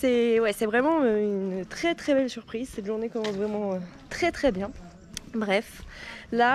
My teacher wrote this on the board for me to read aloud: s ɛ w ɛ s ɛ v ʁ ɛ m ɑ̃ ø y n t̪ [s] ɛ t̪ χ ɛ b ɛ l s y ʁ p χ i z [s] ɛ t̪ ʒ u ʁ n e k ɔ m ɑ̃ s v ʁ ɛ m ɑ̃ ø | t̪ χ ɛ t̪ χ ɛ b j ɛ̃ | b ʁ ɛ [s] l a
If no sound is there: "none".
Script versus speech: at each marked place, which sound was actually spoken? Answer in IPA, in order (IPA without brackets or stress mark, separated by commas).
χ, s, f